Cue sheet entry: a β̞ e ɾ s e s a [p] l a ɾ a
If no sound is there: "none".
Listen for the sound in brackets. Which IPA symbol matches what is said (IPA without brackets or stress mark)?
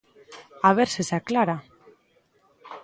k